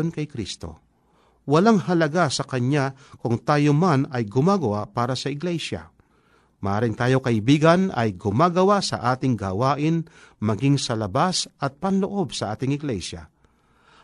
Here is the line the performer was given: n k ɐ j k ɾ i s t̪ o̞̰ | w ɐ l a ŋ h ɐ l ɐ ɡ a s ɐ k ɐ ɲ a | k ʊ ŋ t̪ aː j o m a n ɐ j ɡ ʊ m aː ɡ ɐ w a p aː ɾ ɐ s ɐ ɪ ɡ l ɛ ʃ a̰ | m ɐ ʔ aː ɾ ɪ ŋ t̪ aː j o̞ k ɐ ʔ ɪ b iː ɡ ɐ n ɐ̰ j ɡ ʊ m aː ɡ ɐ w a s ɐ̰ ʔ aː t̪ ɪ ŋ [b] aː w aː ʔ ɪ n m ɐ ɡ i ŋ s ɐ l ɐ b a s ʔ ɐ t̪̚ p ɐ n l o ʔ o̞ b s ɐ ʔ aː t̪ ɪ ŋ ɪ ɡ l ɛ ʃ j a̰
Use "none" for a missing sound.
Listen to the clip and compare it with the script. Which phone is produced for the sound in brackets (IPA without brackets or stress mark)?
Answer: ɡ